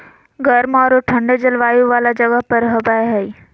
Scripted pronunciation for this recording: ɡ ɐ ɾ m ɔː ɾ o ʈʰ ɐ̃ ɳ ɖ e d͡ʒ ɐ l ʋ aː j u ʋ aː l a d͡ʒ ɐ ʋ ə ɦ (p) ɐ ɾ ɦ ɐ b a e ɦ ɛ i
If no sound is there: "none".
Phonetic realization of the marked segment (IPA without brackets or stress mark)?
p